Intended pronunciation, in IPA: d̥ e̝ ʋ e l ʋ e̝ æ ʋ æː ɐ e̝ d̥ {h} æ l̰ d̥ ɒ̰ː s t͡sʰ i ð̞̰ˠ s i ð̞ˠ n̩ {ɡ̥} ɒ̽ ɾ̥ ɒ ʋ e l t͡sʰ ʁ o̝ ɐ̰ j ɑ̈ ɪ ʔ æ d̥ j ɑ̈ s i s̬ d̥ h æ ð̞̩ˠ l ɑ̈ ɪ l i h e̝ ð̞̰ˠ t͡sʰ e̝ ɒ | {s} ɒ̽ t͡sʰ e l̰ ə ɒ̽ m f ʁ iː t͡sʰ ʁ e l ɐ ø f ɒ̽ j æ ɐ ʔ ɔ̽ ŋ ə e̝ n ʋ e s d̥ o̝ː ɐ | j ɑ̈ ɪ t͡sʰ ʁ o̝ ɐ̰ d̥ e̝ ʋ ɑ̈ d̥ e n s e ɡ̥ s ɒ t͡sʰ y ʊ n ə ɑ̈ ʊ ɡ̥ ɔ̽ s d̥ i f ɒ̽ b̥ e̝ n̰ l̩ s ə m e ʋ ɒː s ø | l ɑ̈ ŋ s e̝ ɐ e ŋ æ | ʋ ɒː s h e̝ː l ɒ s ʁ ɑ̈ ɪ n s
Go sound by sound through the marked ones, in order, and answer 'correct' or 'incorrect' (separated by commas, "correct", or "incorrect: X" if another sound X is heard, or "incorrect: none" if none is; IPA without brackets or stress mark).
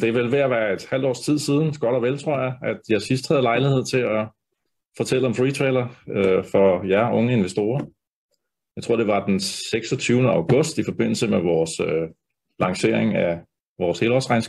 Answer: correct, correct, incorrect: f